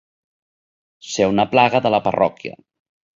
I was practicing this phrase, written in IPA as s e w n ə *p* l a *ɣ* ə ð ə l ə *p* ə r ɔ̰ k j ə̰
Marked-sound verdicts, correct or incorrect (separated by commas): correct, correct, correct